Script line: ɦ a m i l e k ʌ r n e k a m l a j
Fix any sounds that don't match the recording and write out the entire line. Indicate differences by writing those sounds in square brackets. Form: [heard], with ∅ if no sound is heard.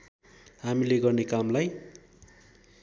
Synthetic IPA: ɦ a m i l e [ɡ] ʌ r n e k a m l a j